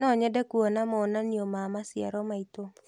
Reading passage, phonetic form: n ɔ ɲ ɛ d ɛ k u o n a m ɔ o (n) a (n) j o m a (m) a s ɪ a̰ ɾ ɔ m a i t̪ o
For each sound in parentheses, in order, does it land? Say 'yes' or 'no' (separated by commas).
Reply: yes, yes, yes